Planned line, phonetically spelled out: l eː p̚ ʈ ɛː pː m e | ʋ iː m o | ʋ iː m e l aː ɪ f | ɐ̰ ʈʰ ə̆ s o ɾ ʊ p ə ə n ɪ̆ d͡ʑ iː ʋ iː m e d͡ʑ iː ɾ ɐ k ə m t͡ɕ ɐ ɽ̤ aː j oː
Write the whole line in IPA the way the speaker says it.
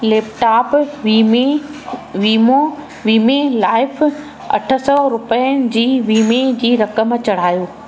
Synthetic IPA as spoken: l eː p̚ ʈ aː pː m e | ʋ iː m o | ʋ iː m e l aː ɪ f | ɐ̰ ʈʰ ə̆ s ɔ ɾ ʊ p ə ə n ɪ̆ d͡ʑ iː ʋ iː m e d͡ʑ iː ɾ ɐ k ə m t͡ɕ ɐ ɽ̤ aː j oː